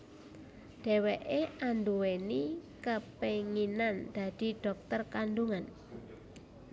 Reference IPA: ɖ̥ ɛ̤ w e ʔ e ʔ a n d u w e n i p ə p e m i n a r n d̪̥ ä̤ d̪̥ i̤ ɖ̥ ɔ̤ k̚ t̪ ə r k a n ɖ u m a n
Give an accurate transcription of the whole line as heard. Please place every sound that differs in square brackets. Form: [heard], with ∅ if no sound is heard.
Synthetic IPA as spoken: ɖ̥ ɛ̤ w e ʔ e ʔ a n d u w e n i [k] ə p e [ŋ] i n a [∅] n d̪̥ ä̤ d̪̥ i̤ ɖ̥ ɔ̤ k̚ t̪ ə r k a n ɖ u [ŋ] a n